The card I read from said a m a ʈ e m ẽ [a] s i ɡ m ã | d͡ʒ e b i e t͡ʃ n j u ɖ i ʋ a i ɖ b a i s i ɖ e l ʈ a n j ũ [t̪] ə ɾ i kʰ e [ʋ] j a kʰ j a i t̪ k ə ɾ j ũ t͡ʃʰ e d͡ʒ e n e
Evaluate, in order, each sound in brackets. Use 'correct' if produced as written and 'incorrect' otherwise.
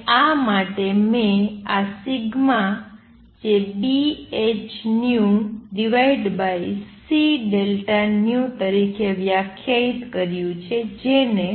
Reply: correct, correct, correct

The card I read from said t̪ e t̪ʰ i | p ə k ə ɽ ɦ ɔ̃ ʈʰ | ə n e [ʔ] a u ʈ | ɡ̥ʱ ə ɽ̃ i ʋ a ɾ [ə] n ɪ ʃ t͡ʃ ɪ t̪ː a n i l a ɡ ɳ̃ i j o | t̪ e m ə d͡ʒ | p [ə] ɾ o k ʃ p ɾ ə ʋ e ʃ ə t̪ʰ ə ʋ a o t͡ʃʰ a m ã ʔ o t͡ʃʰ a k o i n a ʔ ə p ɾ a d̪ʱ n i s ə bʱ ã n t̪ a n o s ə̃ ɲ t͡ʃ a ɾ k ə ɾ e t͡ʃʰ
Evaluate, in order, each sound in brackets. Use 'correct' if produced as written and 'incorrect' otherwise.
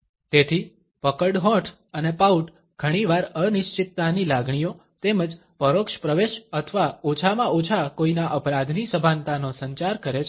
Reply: incorrect: p, correct, correct

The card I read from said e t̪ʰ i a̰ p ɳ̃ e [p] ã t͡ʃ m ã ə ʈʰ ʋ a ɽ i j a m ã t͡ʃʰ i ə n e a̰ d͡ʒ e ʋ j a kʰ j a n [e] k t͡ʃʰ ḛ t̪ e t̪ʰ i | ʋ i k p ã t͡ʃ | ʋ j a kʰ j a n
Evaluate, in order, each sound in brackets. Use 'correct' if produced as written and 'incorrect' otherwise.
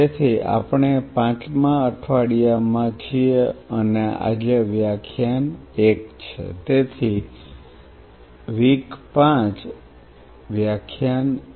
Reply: correct, correct

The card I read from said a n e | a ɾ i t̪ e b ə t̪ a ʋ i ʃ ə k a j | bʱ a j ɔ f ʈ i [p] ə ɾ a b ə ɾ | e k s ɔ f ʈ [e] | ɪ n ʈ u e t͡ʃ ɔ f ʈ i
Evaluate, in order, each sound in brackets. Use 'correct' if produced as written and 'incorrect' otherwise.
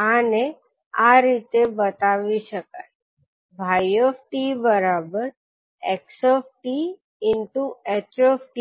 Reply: incorrect: b, incorrect: i

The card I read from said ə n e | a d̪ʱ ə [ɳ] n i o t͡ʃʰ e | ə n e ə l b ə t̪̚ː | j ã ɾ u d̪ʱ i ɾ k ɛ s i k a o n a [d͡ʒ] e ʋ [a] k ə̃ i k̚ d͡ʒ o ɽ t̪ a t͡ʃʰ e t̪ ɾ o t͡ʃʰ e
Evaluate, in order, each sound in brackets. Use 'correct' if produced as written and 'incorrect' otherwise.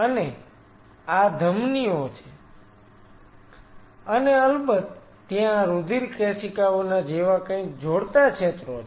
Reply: incorrect: m, correct, correct

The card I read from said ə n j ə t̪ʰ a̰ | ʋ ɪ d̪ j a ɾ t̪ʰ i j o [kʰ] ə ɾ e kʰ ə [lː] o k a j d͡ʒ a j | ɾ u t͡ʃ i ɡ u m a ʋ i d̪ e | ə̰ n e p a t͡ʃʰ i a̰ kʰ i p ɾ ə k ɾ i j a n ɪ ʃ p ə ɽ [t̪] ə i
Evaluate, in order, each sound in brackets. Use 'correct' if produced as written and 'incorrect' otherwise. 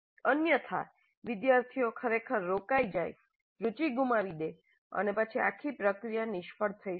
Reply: correct, incorrect: ɾː, incorrect: t̪ʰ

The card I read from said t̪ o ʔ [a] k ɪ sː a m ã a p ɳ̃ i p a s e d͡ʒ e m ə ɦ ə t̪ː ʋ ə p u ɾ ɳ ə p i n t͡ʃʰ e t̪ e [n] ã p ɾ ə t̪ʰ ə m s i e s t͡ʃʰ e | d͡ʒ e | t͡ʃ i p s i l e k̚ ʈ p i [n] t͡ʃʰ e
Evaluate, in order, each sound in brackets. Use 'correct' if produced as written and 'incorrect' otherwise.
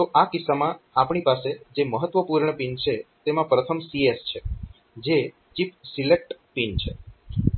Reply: correct, incorrect: m, correct

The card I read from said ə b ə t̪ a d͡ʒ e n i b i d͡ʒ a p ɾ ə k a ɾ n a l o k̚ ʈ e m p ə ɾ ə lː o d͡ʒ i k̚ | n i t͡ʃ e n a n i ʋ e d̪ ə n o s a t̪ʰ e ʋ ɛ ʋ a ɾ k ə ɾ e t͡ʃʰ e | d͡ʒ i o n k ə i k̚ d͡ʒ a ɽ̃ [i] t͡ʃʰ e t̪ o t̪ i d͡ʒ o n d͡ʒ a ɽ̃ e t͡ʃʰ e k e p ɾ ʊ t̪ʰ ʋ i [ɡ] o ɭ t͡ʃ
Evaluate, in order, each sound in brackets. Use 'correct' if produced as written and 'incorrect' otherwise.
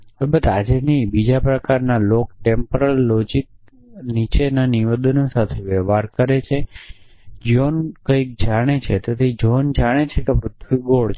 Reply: incorrect: e, correct

